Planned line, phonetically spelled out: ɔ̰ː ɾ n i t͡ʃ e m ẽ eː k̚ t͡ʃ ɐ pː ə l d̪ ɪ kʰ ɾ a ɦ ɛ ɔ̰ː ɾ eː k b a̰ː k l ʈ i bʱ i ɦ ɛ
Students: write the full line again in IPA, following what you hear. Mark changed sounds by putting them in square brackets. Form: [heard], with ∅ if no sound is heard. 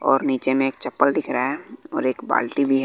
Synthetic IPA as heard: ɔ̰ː ɾ n [iː] t͡ʃ e m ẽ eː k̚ t͡ʃ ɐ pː ə l d̪ ɪ kʰ ɾ a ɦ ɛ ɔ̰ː ɾ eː k b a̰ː [∅] l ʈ i bʱ i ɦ ɛ